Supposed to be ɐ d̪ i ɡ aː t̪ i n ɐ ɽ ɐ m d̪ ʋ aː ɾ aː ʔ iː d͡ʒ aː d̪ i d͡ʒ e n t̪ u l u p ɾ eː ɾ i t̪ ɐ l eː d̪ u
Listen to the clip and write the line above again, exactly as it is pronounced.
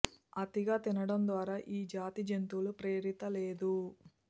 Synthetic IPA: ɐ t̪ i ɡ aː t̪ i n ɐ ɽ ɐ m d̪ ʋ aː ɾ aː ʔ iː d͡ʒ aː t̪ i d͡ʒ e n t̪ u l u p ɾ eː ɾ i t̪ ɐ l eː d̪ u